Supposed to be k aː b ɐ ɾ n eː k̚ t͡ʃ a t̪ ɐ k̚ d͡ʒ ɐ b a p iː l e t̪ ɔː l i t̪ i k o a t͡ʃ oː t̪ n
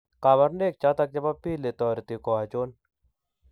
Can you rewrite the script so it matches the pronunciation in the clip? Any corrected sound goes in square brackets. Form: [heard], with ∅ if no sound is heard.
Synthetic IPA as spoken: k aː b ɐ ɾ n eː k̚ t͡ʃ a t̪ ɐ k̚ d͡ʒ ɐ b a p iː l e t̪ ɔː [ɾ] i t̪ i k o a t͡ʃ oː [∅] n